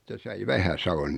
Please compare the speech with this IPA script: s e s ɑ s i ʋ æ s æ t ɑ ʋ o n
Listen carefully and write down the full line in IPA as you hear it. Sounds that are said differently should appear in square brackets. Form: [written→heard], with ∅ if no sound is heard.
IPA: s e s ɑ [s→∅] i ʋ æ [s→h] æ [t→s] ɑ ʋ o n